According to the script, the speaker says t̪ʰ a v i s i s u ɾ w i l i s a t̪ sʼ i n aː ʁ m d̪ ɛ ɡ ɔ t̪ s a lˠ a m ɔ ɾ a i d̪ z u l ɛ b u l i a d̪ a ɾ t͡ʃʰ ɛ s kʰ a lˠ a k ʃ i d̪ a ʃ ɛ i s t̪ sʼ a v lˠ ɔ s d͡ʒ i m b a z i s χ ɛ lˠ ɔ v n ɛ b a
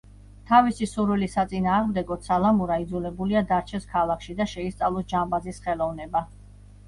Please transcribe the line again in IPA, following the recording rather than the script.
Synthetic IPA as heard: t̪ʰ a v i s i s u ɾ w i l i s a t̪ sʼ i n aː ʁ m d̪ ɛ ɡ ɔ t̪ s a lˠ a m u ɾ a i d̪ z u l ɛ b u l i a d̪ a ɾ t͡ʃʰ ɛ s kʰ a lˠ a k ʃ i d̪ a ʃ ɛ i s t̪ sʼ a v lˠ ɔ s d͡ʒ a m b a z i s χ ɛ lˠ ɔ v n ɛ b a